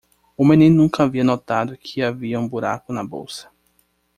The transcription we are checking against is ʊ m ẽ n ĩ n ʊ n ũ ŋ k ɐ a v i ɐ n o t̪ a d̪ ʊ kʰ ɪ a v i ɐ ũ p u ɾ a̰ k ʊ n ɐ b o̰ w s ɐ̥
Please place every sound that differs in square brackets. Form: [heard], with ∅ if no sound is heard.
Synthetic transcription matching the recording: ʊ m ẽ n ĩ n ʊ n ũ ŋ k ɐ a v i ɐ n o t̪ a d̪ ʊ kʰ ɪ a v i ɐ ũ [b] u ɾ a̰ k ʊ n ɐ b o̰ w s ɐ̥